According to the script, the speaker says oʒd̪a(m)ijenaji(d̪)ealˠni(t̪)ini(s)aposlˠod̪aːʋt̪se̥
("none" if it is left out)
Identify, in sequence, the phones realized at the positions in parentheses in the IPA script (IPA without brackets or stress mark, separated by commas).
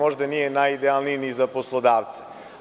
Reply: n, d̪, none, z